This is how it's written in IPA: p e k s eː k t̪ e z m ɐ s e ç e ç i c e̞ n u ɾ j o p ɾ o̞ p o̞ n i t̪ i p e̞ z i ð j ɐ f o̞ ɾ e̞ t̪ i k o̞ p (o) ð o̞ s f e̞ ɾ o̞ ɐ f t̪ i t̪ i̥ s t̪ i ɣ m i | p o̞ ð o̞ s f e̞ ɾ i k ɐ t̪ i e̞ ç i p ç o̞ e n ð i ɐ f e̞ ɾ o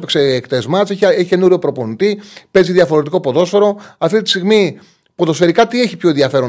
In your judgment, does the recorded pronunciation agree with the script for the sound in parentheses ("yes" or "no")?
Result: yes